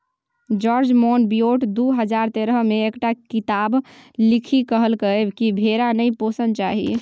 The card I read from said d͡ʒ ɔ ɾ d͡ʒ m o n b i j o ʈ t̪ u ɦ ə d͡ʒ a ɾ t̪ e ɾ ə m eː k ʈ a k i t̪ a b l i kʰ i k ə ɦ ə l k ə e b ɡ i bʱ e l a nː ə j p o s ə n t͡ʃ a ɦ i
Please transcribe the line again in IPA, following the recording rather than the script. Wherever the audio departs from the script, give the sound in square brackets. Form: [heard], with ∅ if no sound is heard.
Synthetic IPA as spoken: d͡ʒ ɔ ɾ d͡ʒ m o n b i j o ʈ [d̪] u ɦ ə d͡ʒ a ɾ t̪ e ɾ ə m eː k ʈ a k i t̪ a b l i kʰ i k ə ɦ ə l k ə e b [k] i bʱ e [ɾ] a [n] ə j p o s ə n t͡ʃ a ɦ i